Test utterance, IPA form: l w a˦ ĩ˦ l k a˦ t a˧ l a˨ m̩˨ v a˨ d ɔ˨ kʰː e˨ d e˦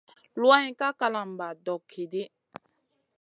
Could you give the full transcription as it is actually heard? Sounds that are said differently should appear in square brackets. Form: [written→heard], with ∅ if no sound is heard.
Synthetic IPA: l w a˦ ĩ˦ [l→∅] k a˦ [t→k] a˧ l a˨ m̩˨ [v→b] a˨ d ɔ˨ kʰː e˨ d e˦